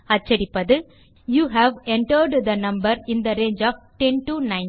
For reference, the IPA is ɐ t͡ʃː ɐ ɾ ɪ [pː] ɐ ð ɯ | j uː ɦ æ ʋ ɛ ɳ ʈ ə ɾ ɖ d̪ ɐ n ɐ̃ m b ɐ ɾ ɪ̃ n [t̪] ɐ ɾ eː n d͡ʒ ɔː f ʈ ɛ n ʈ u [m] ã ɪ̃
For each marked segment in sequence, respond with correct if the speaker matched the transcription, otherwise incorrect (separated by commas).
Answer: correct, incorrect, incorrect